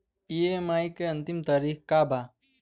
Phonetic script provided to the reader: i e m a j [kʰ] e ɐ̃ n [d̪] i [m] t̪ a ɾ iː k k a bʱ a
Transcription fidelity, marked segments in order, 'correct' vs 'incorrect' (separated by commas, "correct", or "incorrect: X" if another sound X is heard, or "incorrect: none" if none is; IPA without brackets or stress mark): incorrect: k, incorrect: t̪, correct